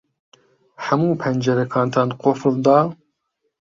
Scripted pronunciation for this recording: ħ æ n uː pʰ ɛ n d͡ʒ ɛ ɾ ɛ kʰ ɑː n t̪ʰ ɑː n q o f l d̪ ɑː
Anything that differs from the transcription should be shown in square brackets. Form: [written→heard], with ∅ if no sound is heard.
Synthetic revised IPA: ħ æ [n→m] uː pʰ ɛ n d͡ʒ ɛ ɾ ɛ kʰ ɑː n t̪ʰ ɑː n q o f l d̪ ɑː